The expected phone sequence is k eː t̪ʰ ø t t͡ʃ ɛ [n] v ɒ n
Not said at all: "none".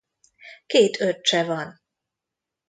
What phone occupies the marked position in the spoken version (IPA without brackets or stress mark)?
none